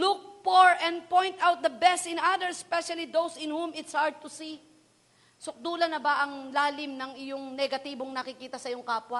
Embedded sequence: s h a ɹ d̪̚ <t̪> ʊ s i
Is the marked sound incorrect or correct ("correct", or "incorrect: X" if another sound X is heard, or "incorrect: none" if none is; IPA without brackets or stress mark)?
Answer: correct